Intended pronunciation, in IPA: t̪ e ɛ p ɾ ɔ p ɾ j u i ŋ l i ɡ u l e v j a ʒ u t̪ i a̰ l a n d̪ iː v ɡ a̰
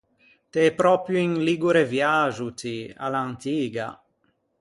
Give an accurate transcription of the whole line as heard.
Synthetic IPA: t̪ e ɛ p ɾ ɔ p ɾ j u i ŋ l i ɡ u ɾ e v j a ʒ u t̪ i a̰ l a n t̪ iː ɡ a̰